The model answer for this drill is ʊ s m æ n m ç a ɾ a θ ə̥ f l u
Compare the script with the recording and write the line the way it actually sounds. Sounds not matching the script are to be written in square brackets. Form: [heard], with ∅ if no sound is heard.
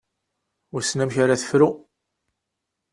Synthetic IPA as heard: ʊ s [n] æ [∅] m ç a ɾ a θ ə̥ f [ɾ] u